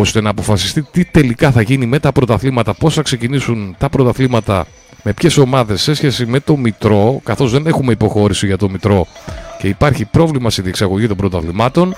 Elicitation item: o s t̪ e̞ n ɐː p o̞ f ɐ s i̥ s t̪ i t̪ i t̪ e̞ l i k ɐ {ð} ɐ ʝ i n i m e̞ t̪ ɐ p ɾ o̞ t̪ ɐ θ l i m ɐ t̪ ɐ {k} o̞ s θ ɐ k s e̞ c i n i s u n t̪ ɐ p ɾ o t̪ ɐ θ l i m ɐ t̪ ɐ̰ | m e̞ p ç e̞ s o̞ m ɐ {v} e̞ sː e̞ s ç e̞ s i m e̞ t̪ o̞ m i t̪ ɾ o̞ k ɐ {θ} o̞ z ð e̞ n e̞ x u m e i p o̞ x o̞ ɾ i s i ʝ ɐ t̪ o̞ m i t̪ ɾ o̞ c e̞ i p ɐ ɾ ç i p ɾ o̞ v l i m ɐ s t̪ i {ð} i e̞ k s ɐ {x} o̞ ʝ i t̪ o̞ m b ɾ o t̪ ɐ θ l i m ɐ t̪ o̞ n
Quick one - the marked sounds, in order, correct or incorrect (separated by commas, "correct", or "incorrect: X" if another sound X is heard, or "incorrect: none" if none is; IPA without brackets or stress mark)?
incorrect: θ, incorrect: p, incorrect: ð, correct, correct, incorrect: ɣ